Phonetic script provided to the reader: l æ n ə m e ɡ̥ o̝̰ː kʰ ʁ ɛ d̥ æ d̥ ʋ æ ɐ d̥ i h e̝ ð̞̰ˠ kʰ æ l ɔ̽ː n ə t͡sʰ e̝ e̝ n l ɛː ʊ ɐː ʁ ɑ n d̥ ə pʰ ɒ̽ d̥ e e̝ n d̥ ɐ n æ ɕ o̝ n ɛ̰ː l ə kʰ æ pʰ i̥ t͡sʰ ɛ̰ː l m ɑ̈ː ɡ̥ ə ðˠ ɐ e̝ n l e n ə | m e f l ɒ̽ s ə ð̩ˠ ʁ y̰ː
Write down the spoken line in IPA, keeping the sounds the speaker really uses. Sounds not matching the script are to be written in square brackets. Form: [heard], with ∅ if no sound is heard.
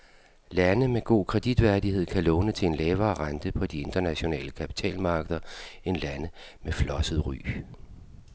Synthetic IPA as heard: l æ n ə m e ɡ̥ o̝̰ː kʰ ʁ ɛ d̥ [i] d̥ ʋ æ ɐ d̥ i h e̝ ð̞̰ˠ kʰ æ l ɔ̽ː n ə t͡sʰ e̝ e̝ n l ɛː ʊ ɐː ʁ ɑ n d̥ ə pʰ ɒ̽ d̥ [i] e̝ n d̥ ɐ n æ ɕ o̝ n ɛ̰ː l ə kʰ æ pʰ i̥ t͡sʰ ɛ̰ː l m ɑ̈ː ɡ̥ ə ðˠ ɐ e̝ n l [æ] n ə | m e f l ɒ̽ s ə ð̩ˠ ʁ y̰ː

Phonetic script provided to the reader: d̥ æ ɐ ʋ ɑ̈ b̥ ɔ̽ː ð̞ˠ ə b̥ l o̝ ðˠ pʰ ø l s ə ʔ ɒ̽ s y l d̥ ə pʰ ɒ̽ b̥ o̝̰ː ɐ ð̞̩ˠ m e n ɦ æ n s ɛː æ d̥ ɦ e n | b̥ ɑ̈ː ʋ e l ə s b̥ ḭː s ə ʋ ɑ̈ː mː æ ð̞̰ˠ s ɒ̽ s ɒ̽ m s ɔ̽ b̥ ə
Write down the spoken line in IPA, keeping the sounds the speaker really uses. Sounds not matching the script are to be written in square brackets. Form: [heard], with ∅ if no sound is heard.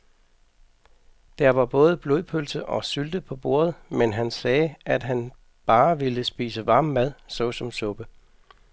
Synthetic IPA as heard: d̥ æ ɐ ʋ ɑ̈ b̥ ɔ̽ː ð̞ˠ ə b̥ l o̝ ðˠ pʰ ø l s ə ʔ ɒ̽ s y l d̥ ə pʰ ɒ̽ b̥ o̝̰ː ɐ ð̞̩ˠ m e n ɦ æ n s ɛː æ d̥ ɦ [æ] n | b̥ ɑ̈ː ʋ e l ə s b̥ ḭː s ə ʋ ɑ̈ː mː æ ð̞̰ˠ s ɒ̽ s ɒ̽ m s ɔ̽ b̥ ə

